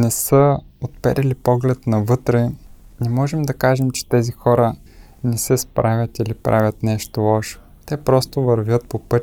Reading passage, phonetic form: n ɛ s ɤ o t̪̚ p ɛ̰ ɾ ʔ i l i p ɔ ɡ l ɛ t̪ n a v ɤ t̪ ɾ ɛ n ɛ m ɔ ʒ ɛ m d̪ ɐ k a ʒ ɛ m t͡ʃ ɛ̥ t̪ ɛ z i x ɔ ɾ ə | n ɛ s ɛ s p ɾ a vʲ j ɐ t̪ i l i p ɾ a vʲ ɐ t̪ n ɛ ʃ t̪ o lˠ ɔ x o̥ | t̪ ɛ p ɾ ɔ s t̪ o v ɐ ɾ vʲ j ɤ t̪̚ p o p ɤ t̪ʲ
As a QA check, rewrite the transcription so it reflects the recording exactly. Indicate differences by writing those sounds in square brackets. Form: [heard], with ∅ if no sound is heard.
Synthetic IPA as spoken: n ɛ s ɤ o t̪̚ p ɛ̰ ɾ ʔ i l i p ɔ ɡ l ɛ t̪ n [ɐ] v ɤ t̪ ɾ ɛ n ɛ m ɔ ʒ ɛ m d̪ ɐ k a ʒ ɛ m t͡ʃ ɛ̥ t̪ ɛ z i x ɔ ɾ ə | n ɛ s ɛ s p ɾ a vʲ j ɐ t̪ i l i p ɾ a vʲ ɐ t̪ n ɛ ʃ t̪ o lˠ ɔ [ʃ] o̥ | t̪ ɛ p ɾ ɔ s t̪ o v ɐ ɾ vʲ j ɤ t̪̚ p o p ɤ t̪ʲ